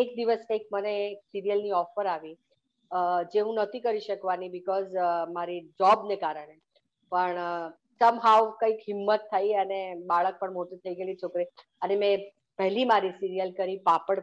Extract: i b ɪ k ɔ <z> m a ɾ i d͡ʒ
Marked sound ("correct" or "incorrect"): correct